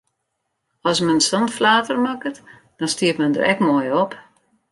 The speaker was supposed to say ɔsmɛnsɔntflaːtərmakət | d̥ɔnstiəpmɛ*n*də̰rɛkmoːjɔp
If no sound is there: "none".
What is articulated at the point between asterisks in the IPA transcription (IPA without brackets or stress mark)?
n